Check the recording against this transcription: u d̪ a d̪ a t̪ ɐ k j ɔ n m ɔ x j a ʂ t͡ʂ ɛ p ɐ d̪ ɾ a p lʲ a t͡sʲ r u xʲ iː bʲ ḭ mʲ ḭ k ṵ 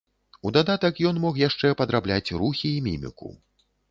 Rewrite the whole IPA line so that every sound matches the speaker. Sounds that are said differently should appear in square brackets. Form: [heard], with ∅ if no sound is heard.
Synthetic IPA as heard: u d̪ a d̪ a t̪ ɐ k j ɔ n m ɔ x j a ʂ t͡ʂ ɛ p ɐ d̪ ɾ a [b] lʲ a t͡sʲ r u xʲ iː [mʲ] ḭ mʲ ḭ k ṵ